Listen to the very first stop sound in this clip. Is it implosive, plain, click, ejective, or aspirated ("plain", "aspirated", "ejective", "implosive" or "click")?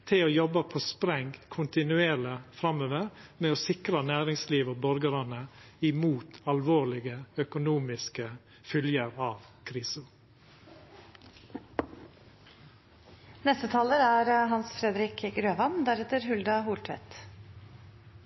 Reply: aspirated